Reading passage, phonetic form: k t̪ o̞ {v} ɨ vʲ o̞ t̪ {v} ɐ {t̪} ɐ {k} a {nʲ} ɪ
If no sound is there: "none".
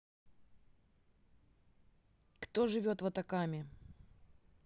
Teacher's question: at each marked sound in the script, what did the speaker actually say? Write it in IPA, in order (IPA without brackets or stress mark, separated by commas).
ʐ, v, t̪, k, mʲ